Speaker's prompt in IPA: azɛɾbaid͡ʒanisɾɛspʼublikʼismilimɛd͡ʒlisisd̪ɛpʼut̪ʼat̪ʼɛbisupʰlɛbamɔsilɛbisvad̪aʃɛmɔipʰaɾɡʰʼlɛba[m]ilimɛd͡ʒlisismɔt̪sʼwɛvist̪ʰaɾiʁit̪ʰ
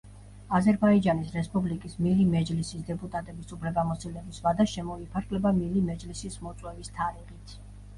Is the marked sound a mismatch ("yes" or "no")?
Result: no